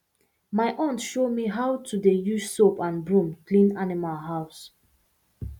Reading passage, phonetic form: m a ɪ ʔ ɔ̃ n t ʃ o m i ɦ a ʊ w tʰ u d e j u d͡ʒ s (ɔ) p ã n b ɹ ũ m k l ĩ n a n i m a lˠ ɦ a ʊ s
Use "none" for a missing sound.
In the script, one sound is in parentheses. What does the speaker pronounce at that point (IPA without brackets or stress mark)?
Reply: o